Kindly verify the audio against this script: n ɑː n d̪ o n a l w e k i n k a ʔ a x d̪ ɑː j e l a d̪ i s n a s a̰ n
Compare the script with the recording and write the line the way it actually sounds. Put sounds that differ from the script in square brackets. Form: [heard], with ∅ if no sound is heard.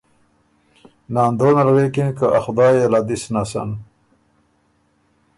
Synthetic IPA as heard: n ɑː n d̪ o n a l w e k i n k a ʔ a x d̪ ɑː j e l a d̪ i s n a s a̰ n

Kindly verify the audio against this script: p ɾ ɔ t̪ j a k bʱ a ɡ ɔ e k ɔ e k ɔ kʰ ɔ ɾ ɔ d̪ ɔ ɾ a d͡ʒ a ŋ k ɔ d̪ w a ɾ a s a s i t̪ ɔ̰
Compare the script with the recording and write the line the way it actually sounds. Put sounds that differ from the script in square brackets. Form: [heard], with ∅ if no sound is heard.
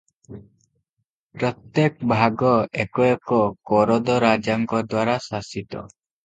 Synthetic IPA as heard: p ɾ ɔ t̪ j [e] k bʱ a ɡ ɔ e k ɔ e k ɔ [k] ɔ ɾ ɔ d̪ ɔ ɾ a d͡ʒ a ŋ k ɔ d̪ w a ɾ a s a s i t̪ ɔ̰

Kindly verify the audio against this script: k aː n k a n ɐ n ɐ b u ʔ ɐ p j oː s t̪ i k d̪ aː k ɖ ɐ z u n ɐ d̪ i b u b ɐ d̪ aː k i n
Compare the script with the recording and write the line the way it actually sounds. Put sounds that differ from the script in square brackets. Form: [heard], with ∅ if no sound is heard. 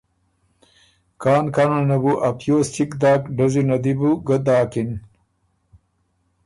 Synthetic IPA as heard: k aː n k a n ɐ n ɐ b u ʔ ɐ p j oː s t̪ i k d̪ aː k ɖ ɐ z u n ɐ d̪ i b u [ɡ] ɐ d̪ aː k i n

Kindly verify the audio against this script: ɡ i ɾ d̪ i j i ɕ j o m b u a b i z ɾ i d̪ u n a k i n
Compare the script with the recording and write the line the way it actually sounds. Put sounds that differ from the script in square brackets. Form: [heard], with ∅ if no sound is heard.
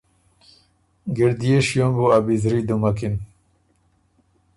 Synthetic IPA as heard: ɡ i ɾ d̪ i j [e] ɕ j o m b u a b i z ɾ i d̪ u [m] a k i n

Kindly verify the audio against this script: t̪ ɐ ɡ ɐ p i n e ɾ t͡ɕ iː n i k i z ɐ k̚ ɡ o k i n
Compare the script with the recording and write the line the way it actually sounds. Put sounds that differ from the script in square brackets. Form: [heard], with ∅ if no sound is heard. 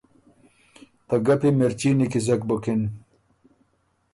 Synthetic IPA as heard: t̪ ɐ ɡ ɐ p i [m] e ɾ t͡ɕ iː n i k i z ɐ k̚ [b] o k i n

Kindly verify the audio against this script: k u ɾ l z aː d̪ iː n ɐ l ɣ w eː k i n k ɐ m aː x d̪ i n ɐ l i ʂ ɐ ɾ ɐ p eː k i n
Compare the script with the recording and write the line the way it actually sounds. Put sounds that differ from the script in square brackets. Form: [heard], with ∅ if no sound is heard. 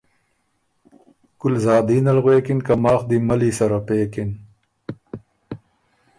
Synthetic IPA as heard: k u [∅] l z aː d̪ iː n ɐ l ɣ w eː k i n k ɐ m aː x d̪ i [m] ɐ l i [s] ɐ ɾ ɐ p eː k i n

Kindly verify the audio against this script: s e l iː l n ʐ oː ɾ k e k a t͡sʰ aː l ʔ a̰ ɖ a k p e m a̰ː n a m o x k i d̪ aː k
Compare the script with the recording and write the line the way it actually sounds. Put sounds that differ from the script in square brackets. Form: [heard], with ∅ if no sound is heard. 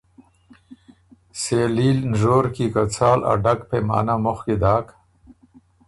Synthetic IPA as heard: s e l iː l n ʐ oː ɾ k [i] k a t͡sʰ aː l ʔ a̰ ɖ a k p e m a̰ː n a m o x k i d̪ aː k

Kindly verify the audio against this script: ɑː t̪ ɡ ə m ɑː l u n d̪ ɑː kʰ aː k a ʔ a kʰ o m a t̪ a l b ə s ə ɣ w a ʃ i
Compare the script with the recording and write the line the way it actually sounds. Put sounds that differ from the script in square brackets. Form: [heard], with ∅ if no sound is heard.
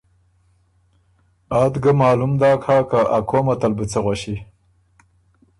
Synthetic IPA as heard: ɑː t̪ ɡ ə m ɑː l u [m] d̪ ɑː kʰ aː k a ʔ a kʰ o m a t̪ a l b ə [t͡s] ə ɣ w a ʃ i

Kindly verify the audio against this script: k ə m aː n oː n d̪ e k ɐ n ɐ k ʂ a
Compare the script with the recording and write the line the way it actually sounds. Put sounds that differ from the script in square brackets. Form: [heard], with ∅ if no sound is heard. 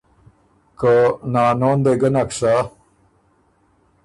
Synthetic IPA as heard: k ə [n] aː n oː n d̪ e [ɡ] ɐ n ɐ k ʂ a

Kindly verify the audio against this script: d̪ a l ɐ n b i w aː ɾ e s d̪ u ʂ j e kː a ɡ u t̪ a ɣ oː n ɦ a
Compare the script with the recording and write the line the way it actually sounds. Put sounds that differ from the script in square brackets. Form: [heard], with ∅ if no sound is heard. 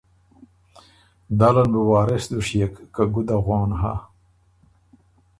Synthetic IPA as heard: d̪ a l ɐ n b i w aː ɾ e s d̪ u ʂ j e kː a ɡ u [d̪] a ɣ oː n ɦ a

